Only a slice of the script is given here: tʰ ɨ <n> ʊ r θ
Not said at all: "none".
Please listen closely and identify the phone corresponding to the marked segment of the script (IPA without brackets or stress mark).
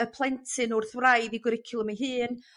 n